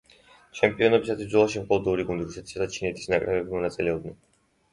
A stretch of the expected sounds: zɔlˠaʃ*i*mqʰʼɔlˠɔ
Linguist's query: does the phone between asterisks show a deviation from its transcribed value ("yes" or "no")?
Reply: no